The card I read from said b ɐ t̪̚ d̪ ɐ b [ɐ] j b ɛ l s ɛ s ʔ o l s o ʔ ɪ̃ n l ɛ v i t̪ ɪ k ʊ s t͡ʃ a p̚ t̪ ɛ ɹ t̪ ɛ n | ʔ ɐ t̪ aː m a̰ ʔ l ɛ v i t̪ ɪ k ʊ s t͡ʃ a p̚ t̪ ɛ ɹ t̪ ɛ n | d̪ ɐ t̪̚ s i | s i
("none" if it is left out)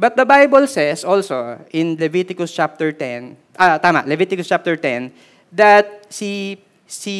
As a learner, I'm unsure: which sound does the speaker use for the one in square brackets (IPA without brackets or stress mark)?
a